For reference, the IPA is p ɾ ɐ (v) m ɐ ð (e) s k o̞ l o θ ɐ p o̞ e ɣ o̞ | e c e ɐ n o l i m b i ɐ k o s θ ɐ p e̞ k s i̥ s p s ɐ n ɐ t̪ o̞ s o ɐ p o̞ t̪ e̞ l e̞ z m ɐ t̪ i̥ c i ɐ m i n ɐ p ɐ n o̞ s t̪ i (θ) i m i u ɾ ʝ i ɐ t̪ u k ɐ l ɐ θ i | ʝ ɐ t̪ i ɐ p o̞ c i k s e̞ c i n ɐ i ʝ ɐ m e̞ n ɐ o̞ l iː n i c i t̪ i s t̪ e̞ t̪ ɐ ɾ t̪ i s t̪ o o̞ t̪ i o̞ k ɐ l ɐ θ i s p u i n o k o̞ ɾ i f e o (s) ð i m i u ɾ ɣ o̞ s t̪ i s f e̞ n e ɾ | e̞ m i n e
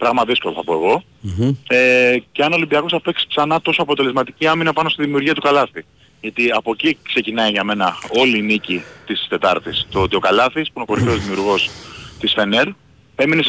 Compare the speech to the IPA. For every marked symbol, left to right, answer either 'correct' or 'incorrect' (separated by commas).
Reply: incorrect, incorrect, incorrect, incorrect